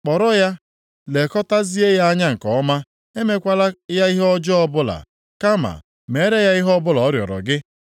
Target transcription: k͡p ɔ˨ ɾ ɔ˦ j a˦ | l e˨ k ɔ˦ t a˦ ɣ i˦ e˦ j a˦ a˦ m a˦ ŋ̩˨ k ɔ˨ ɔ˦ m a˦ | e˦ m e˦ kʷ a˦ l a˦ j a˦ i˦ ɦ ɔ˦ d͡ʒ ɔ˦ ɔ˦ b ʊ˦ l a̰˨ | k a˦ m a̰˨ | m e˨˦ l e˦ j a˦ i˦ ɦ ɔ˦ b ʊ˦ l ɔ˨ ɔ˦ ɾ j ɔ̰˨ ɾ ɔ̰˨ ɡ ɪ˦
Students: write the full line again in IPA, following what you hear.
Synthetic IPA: k͡p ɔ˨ ɾ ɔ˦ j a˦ | l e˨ k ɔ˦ t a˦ z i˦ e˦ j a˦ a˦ ɲ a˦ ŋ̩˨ k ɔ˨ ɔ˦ m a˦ | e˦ m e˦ kʷ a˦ l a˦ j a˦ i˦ ɦ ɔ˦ d͡ʒ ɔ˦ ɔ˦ b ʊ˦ l a̰˨ | k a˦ m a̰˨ | m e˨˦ ɾ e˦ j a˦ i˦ ɦ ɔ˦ b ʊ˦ l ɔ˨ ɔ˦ ɾ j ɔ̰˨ ɾ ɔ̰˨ ɡ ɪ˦